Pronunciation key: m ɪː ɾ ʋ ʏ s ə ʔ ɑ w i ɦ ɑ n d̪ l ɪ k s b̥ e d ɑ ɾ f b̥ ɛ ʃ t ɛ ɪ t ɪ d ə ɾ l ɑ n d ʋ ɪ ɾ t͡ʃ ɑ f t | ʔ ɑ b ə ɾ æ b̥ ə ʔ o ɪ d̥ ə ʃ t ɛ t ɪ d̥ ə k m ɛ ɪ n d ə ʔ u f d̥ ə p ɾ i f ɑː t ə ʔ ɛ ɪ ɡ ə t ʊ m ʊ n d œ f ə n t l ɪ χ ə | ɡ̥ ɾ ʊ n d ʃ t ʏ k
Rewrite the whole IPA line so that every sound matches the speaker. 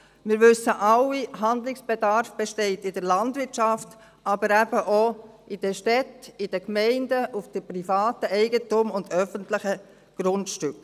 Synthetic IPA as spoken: m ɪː ɾ ʋ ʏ s ə ʔ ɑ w i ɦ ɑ n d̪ l ɪ k s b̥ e d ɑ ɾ f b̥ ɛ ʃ t ɛ ɪ t ɪ d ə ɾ l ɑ n d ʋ ɪ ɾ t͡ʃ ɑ f t | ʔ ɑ b ə ɾ æ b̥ ə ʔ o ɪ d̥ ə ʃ t ɛ t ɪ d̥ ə k m ɛ ɪ n d ə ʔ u f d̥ ə p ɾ i f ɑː t ə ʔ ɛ ɪ ɡ ə t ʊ m ʊ n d œ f ə n t l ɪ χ ə | ɡ̥ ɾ ʊ n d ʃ t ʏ k